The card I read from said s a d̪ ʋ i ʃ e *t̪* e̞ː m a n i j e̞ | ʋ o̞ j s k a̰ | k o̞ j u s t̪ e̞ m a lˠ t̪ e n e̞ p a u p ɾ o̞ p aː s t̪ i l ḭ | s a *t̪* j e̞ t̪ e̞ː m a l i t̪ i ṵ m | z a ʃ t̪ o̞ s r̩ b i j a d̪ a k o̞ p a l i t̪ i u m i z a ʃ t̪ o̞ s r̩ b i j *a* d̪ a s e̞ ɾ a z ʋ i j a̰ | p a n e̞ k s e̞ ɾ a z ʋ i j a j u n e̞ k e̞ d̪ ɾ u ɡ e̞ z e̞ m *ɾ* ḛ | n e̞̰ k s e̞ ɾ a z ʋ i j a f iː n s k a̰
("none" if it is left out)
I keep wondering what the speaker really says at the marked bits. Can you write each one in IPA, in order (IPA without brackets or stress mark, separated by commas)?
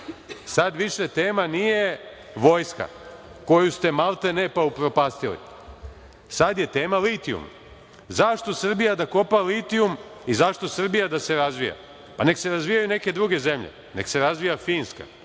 t̪, d̪, a, ʎ